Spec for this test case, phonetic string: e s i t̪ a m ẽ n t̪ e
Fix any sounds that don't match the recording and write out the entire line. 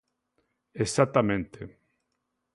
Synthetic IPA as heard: e s a t̪ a m ẽ n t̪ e